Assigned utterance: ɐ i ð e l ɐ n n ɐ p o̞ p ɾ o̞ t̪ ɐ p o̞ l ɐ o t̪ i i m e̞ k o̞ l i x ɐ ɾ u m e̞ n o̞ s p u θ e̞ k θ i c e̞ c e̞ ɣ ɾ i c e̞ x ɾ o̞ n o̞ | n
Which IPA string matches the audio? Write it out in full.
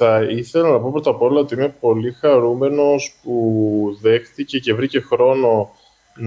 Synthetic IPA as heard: ɐ i θ e l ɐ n n ɐ p o̞ p ɾ o̞ t̪ ɐ p o̞ l ɐ o t̪ i i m e̞ p o̞ l i x ɐ ɾ u m e̞ n o̞ s p u ð e̞ x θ i c e̞ c e̞ v ɾ i c e̞ x ɾ o̞ n o̞ | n